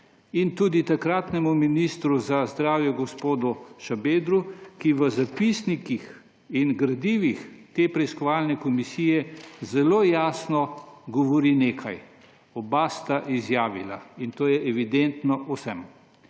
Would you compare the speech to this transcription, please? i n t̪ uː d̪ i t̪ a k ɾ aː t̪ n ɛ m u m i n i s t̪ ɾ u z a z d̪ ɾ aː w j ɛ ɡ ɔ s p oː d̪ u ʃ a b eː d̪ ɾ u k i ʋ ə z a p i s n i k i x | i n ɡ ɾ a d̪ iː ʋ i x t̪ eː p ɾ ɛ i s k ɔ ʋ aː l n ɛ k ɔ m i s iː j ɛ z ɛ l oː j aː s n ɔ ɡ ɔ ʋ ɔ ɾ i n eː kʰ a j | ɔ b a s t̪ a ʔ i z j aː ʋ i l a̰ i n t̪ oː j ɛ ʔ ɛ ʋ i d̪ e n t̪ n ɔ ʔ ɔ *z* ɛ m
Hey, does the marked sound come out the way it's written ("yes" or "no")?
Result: no